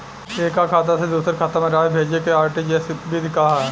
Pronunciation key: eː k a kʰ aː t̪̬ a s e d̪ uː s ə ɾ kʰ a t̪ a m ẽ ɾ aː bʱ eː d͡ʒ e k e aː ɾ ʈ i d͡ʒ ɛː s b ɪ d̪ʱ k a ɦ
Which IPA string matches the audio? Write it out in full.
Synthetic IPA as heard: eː k a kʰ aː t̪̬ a s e d̪ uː s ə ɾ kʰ a t̪ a m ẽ ɾ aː bʱ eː d͡ʒ e k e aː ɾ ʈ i d͡ʒ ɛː s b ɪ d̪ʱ k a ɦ